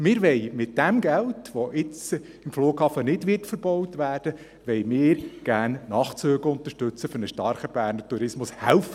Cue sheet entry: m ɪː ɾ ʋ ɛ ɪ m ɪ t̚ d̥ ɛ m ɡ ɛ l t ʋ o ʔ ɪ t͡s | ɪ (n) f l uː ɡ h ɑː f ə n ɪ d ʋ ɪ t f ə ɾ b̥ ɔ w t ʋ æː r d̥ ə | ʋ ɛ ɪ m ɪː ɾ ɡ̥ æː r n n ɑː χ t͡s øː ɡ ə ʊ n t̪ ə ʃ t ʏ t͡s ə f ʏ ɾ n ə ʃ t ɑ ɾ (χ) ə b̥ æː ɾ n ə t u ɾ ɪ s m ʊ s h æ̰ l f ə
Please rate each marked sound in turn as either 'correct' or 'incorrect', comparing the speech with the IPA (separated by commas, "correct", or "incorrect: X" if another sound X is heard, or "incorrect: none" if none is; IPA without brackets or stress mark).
incorrect: m, correct